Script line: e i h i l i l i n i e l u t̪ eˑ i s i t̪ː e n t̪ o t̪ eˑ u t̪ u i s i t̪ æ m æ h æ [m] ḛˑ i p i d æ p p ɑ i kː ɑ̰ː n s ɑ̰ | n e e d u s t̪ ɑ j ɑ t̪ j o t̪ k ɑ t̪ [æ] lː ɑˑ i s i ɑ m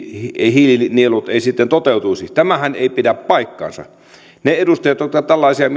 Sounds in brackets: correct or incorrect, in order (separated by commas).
incorrect, correct